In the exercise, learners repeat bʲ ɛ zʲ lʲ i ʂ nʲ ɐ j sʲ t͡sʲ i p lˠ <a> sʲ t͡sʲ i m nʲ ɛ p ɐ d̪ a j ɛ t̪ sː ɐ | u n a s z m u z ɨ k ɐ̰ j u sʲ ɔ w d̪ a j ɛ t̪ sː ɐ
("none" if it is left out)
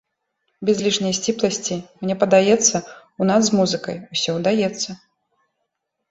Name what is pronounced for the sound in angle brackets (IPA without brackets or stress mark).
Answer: ɐ